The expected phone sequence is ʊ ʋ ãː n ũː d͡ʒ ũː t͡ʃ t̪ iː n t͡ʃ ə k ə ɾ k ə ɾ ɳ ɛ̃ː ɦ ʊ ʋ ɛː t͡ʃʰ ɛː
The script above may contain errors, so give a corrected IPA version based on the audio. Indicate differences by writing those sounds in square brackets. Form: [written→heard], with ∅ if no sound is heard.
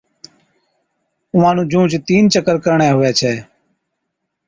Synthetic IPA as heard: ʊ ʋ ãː n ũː d͡ʒ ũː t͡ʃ t̪ iː n t͡ʃ ə k ə ɾ k ə ɾ ɳ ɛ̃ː ɦ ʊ ʋ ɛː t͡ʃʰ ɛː